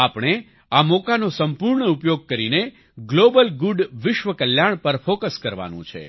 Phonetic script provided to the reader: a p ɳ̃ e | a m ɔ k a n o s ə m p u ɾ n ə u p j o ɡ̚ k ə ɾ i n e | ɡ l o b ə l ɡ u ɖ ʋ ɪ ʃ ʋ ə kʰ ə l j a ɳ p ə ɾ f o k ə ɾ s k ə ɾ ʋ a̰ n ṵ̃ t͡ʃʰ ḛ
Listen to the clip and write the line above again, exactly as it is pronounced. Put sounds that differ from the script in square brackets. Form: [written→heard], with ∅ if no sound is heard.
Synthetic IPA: a p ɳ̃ e | a m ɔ k a n o s ə m p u ɾ [n→ɳ] ə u p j o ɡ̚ k ə ɾ i n e | ɡ l o b ə l ɡ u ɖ ʋ ɪ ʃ ʋ ə [kʰ→k] ə l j a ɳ p ə ɾ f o k ə [ɾ→∅] s k ə ɾ ʋ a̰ n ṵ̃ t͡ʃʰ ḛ